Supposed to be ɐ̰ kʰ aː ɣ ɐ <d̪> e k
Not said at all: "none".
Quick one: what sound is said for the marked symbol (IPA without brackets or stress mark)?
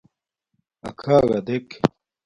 d̪